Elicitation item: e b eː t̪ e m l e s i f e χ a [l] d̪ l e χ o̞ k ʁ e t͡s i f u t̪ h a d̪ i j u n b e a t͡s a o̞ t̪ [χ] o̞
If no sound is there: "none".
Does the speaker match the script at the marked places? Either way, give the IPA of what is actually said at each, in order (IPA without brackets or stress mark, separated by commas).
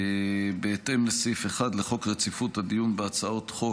none, χ